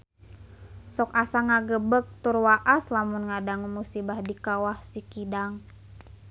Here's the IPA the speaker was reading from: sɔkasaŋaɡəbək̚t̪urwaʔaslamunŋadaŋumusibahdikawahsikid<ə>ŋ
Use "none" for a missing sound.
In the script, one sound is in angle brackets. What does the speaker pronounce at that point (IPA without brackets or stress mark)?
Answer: a